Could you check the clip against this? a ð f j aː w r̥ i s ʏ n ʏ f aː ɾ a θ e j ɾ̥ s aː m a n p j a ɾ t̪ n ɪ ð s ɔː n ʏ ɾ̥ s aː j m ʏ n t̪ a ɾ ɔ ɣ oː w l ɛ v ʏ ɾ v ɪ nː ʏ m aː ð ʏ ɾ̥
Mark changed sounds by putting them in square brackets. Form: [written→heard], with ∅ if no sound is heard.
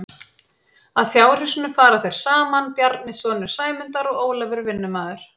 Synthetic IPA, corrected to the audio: a ð f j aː w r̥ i s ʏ n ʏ f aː ɾ a θ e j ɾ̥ s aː m a n p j a ɾ t̪ n ɪ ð s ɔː n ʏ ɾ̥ s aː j m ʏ n t̪ a ɾ ɔ ɣ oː w l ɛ v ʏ ɾ v ɪ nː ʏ m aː ð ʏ ɾ̥